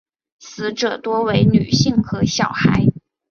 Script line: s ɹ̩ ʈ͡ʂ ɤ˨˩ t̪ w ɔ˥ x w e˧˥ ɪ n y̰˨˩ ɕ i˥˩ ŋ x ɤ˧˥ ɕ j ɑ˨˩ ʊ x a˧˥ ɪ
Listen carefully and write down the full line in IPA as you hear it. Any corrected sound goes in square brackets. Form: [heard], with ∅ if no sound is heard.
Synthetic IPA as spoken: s ɹ̩ ʈ͡ʂ ɤ˨˩ t̪ w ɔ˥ [∅] w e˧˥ ɪ n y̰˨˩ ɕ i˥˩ ŋ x ɤ˧˥ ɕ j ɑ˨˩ ʊ x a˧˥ ɪ